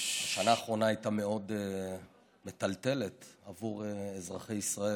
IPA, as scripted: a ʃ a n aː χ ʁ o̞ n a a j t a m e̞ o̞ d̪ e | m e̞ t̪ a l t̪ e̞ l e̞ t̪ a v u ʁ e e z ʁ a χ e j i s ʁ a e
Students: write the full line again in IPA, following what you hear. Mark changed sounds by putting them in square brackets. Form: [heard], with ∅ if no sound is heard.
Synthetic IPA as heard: a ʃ a n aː χ ʁ o̞ n a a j t a m e̞ o̞ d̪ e | m e̞ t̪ a l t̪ e̞ l e̞ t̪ a v u ʁ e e z ʁ a χ e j i s ʁ a e